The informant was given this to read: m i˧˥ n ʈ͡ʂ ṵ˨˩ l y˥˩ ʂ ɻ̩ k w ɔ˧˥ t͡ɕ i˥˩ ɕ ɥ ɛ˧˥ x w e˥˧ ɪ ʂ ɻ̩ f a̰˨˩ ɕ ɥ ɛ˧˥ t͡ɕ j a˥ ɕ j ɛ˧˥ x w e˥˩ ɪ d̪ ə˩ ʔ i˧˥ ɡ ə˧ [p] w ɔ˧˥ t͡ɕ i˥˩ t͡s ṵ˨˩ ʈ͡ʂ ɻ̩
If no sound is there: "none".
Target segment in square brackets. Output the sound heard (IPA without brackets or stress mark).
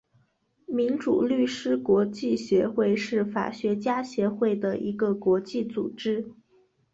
k